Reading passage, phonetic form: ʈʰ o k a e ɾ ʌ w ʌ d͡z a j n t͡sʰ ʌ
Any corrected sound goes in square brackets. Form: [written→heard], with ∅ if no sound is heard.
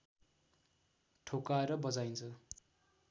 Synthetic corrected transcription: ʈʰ o k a e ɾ ʌ [w→b] ʌ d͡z a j n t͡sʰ ʌ